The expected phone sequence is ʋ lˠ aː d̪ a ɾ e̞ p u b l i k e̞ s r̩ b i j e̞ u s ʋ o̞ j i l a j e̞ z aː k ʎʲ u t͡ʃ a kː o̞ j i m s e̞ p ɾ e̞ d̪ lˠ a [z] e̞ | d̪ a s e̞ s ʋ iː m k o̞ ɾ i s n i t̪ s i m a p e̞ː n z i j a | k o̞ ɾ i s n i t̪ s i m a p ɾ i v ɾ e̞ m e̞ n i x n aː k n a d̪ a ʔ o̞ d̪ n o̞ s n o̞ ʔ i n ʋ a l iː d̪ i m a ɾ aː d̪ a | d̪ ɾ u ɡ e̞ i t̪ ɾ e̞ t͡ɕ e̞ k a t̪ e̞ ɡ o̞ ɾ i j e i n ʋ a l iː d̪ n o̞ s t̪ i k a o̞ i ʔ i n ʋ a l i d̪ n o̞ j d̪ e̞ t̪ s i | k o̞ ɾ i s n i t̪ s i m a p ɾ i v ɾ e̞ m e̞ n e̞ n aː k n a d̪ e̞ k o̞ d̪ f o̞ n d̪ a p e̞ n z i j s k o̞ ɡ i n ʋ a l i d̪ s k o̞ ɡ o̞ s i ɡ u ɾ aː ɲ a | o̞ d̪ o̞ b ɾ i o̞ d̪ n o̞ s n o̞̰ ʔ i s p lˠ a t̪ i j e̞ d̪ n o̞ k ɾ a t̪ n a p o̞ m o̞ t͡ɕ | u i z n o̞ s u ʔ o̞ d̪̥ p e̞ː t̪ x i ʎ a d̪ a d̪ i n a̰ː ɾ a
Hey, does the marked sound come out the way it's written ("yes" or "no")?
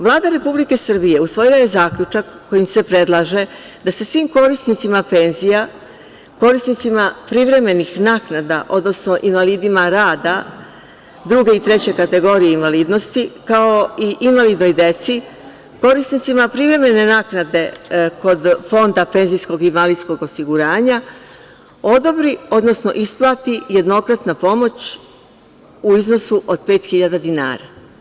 no